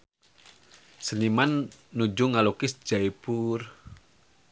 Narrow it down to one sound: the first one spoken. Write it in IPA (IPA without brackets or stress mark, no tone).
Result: s